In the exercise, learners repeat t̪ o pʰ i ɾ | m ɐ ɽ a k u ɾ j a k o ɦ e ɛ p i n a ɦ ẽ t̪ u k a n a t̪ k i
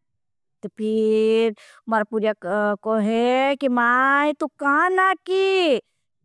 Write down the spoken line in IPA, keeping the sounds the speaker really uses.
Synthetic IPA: t̪ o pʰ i ɾ | m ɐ ɾ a p u ɾ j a k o ɦ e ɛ k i m a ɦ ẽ t̪ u k a n a k i